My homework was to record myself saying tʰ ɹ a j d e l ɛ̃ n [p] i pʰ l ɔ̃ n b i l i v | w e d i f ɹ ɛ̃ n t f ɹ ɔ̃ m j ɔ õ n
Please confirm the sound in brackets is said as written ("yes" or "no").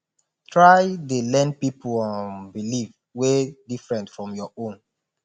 yes